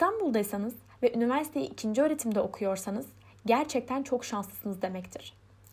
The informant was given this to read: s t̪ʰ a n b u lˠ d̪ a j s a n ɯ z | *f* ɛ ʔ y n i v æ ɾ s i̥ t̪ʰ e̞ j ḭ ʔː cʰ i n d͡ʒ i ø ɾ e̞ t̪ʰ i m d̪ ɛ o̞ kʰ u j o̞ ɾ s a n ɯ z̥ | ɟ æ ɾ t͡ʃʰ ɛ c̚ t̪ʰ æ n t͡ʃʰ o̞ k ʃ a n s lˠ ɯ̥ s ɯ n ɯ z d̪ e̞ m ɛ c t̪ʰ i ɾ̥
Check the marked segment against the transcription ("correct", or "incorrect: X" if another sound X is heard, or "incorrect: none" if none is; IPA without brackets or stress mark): incorrect: v